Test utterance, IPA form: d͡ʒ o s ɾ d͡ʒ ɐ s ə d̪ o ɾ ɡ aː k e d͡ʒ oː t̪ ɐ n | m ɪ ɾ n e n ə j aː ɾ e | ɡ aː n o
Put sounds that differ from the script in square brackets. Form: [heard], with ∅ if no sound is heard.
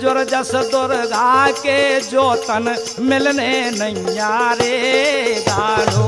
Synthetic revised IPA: d͡ʒ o [∅] ɾ d͡ʒ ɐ s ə d̪ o ɾ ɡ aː k e d͡ʒ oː t̪ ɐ n | m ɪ [l] n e n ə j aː ɾ e | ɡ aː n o